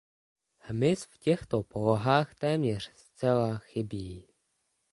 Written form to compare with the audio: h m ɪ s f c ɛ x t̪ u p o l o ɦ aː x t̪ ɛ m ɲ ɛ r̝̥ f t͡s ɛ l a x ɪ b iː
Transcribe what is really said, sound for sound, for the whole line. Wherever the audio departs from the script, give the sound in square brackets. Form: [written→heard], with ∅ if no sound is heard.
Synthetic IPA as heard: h m ɪ s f c ɛ x t̪ [u→o] p o l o ɦ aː x t̪ [ɛ→ɛː] m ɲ ɛ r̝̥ [f→s] t͡s ɛ l a x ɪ b iː